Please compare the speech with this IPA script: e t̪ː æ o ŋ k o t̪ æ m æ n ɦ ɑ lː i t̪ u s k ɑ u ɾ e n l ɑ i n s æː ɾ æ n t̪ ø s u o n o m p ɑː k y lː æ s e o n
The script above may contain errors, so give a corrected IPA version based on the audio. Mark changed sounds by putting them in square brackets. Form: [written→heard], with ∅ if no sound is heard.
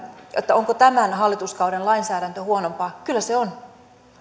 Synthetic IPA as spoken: e t̪ː æ o ŋ k o t̪ æ m æ n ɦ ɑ lː i t̪ u s k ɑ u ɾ e n l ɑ i n s æː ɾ æ n t̪ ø [s→h] u o n o m p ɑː k y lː æ s e o n